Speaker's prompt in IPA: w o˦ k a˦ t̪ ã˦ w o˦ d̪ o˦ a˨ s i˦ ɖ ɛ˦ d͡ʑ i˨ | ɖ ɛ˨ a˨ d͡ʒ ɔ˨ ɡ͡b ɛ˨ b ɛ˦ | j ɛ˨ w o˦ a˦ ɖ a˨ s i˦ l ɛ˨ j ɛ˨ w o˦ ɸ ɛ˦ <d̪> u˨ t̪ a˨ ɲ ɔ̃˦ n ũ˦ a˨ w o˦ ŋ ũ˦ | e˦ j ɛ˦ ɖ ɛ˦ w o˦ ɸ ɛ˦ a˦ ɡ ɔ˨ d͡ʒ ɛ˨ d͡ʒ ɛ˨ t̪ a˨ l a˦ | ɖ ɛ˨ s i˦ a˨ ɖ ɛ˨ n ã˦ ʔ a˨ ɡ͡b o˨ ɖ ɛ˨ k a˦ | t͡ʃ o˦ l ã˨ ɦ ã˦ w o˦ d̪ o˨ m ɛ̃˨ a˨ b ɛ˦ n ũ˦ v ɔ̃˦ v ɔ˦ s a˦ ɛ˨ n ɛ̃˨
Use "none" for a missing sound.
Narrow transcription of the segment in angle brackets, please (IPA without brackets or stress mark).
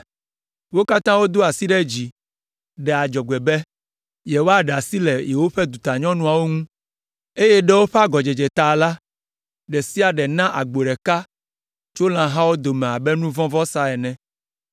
d̪